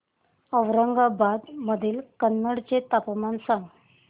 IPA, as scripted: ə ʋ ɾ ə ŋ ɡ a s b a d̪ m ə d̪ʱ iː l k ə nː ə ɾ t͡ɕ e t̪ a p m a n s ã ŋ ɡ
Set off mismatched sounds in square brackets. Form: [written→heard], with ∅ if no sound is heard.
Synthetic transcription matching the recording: ə ʋ ɾ ə ŋ ɡ a [s→∅] b a d̪ m ə d̪ʱ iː l k ə nː ə [ɾ→ɽ] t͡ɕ e t̪ a p m a n s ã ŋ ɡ

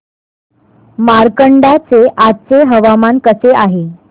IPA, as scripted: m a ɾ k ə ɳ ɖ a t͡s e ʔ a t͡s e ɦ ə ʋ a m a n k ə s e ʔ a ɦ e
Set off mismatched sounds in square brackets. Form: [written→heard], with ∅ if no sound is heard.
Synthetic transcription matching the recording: m a ɾ k ə ɳ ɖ a t͡s e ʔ a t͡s e ɦ ə ʋ a m a n k ə s e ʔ a ɦ e

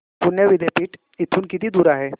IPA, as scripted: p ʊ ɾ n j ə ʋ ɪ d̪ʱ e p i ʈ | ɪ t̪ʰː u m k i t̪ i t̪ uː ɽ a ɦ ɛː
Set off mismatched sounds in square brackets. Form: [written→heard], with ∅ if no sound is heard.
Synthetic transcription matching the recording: p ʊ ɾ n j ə ʋ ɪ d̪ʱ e p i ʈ | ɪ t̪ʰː u [m→n] k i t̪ i [t̪→d̪] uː [ɽ→ɾ] a ɦ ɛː

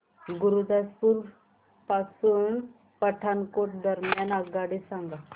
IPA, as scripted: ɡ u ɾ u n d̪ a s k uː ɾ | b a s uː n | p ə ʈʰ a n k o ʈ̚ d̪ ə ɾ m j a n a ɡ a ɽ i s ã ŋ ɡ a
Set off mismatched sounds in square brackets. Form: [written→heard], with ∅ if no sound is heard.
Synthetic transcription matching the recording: ɡ u ɾ u [n→∅] d̪ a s [k→p] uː ɾ | [b→p] a s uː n | p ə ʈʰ a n k o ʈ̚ d̪ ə ɾ m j a n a ɡ a ɽ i s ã ŋ ɡ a

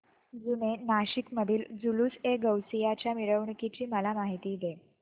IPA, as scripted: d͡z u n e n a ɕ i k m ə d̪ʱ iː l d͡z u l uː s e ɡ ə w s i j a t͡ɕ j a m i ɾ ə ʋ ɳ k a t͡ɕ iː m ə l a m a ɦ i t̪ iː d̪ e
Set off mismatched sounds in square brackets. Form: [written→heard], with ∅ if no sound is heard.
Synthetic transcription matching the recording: d͡z u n e n a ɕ i k m ə d̪ʱ iː l d͡z u l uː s e ɡ ə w s i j a t͡ɕ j a m i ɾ ə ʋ ɳ k [a→i] t͡ɕ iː m ə l a m a ɦ i t̪ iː d̪ e

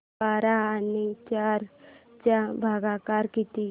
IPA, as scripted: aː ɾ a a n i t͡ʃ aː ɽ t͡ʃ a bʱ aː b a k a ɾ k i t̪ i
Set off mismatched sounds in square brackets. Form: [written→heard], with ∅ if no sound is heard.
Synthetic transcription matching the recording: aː ɾ a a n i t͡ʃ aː [ɽ→ɾ] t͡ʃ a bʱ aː [b→ɡ] a k a ɾ k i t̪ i

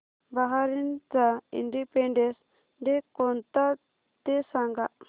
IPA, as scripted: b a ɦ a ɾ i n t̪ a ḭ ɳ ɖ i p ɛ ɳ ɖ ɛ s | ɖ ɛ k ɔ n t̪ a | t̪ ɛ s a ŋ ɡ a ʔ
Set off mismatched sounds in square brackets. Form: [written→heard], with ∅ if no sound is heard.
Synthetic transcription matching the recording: b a ɦ a ɾ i n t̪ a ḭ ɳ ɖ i p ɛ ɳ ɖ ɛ s | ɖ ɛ k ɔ n t̪ a | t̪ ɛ s a ŋ ɡ a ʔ

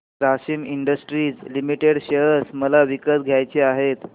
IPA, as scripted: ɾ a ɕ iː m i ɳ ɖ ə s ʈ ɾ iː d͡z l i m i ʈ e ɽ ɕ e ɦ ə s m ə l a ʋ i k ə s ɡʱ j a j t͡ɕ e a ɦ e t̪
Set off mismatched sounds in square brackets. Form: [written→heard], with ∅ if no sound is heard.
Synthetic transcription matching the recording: ɾ a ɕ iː m i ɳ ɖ ə s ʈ ɾ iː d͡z l i m i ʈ e ɽ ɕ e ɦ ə s m ə l a ʋ i k ə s ɡʱ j a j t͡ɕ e a ɦ e t̪

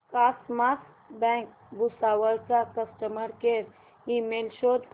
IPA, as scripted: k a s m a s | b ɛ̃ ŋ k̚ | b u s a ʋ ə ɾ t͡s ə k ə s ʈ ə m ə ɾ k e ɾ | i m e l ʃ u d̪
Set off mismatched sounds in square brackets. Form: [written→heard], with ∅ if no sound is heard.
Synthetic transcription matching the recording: k a s m a s | b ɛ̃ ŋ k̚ | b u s a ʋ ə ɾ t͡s [ə→a] k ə s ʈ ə m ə ɾ k e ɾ | i m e l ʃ [u→o] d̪

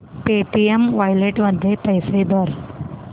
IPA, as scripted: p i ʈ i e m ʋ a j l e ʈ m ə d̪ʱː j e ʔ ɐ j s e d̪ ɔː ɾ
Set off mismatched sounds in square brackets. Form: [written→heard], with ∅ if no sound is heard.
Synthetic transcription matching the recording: p [i→e] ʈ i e m ʋ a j l e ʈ m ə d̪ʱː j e [ʔ→p] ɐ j s e d̪ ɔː ɾ

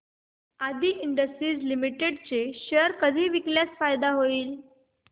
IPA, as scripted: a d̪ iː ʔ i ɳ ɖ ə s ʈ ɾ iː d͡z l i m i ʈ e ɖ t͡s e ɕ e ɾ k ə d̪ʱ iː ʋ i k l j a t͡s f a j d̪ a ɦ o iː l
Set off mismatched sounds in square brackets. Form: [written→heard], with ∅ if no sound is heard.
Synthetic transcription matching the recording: a d̪ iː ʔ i ɳ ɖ ə s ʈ ɾ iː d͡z l i m i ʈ e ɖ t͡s e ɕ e ɾ k ə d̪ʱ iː ʋ i k l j a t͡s f a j d̪ a ɦ o iː l

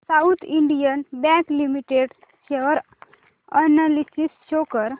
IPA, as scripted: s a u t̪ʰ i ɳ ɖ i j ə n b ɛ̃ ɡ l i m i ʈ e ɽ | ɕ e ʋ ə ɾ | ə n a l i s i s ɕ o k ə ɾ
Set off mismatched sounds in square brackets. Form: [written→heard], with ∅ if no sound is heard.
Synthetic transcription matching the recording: s a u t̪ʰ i ɳ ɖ i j ə n b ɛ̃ [ɡ→k] l i m i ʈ e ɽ | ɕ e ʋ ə ɾ | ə n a l i s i s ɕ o k ə ɾ

